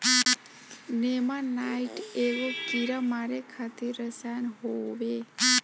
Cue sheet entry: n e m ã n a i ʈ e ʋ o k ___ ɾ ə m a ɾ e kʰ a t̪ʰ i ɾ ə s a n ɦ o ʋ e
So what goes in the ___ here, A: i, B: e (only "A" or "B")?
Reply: A